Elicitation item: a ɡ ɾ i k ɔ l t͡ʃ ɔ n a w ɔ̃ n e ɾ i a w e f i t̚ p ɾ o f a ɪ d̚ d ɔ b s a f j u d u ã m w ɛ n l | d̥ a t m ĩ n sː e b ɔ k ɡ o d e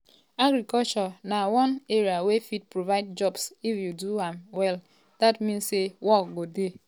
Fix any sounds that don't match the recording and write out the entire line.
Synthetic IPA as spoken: a ɡ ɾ i k ɔ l t͡ʃ ɔ n a w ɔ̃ n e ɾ i a w e f i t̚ p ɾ o v a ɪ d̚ d͡ʒ ɔ b s i f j u d u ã m w ɛ l | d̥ a t m ĩ n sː e w ɔ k ɡ o d e

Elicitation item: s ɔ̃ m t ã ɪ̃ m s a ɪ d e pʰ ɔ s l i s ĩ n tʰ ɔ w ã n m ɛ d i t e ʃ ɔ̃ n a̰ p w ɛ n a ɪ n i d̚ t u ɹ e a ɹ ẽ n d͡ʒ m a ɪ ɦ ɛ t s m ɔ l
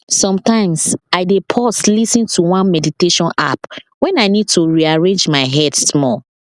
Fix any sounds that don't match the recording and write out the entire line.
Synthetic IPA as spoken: s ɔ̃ m t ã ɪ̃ m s a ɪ d e pʰ ɔ s l i s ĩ n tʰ u w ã n m ɛ d i t e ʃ ɔ̃ n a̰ p w ɛ̃ n a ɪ n i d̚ t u ɹ i a ɹ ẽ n d͡ʒ m a ɪ ɦ ɛ d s m ɔ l

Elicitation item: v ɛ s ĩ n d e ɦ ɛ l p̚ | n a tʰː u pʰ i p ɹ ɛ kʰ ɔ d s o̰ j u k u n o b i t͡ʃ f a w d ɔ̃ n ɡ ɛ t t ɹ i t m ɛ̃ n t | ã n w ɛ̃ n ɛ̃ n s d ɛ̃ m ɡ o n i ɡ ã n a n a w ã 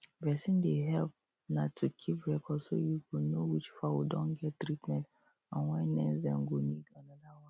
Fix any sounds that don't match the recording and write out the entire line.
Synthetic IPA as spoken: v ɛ s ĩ n d e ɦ ɛ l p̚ | n a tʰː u kʰ i p ɹ ɛ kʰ ɔ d s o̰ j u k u n o w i t͡ʃ f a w d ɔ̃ n ɡ ɛ t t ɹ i t m ɛ̃ n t | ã n w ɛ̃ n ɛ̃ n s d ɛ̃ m ɡ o n i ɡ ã n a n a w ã

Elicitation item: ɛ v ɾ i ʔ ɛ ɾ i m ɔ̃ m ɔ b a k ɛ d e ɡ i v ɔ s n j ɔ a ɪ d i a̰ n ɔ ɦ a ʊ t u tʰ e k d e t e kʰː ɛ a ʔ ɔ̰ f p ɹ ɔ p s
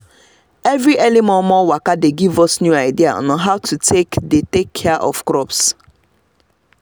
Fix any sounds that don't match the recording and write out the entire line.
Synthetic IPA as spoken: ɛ v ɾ i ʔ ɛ l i m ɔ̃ m ɔ w a k a d e ɡ i v ɔ s n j u a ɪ d i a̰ n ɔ ɦ a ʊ t u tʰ e k d e t e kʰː ɛ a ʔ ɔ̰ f k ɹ ɔ p s

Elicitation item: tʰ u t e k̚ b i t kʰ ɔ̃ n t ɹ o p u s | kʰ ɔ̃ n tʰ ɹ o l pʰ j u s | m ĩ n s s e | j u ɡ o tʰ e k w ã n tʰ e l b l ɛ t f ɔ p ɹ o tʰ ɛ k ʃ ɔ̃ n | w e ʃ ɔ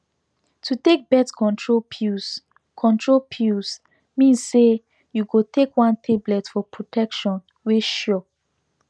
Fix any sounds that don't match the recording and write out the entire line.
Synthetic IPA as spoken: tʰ u t e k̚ b ɛ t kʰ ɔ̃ n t ɹ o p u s | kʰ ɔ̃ n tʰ ɹ o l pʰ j u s | m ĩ n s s e | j u ɡ o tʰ e k w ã n tʰ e b l ɛ t f ɔ p ɹ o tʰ ɛ k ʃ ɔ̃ n | w e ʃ ɔ

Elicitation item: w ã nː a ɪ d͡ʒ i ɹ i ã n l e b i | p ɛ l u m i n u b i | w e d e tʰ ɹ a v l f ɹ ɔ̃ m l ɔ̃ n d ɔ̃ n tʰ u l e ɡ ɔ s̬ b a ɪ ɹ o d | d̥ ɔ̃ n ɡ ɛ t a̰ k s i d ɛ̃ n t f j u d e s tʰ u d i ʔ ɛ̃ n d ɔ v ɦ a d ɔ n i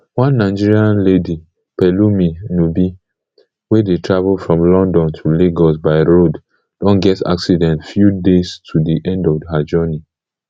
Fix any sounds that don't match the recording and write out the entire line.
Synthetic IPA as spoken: w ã nː a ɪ d͡ʒ i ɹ i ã n l e d i | p ɛ l u m i n u b i | w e d e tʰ ɹ a v l f ɹ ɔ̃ m l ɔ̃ n d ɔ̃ n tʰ u l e ɡ ɔ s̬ b a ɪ ɹ o d | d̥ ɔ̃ n ɡ ɛ t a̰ k s i d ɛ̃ n t f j u d e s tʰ u d i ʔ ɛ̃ n d ɔ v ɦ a d͡ʒ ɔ n i

